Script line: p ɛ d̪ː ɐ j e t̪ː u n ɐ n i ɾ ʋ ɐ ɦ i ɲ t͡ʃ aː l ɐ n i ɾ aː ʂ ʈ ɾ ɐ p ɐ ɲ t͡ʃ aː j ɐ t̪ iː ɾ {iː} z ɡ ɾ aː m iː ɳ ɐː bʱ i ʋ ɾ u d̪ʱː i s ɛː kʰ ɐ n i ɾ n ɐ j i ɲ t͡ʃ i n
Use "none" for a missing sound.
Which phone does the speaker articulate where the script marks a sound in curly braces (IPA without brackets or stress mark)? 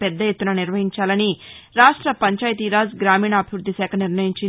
aː